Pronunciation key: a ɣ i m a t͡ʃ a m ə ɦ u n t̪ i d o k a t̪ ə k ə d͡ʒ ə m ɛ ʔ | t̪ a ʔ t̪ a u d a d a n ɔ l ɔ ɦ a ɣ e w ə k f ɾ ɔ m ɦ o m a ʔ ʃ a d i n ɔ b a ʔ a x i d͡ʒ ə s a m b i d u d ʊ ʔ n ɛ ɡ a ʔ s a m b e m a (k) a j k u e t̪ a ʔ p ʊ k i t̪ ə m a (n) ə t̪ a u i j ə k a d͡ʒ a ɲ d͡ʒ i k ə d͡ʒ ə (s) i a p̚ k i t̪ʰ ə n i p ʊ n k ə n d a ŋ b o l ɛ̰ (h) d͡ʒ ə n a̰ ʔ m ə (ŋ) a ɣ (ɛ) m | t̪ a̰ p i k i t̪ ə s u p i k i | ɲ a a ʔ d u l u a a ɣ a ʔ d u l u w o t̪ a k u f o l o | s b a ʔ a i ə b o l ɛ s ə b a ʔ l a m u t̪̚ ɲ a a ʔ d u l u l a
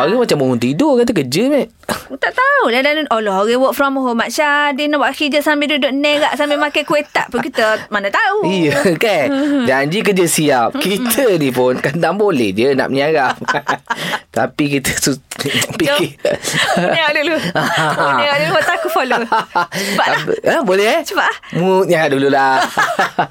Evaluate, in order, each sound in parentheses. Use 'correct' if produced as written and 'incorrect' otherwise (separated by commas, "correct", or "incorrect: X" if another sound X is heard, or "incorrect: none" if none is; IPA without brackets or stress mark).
correct, correct, correct, correct, incorrect: ɲ, incorrect: a